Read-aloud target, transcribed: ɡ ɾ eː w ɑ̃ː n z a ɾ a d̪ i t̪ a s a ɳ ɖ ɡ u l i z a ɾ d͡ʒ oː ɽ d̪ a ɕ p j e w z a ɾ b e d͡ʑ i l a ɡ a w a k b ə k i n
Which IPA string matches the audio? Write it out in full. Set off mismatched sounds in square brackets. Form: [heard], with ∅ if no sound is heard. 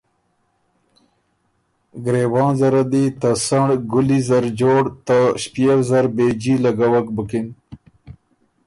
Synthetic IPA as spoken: ɡ ɾ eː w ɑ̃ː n z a ɾ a d̪ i t̪ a s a ɳ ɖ ɡ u l i z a ɾ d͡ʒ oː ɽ [t̪] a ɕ p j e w z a ɾ b e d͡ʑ i l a ɡ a w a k b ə k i n